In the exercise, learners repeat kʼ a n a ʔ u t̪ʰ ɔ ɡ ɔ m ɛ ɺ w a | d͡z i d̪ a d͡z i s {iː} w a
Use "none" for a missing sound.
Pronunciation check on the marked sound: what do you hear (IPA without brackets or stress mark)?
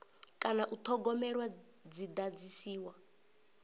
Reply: iː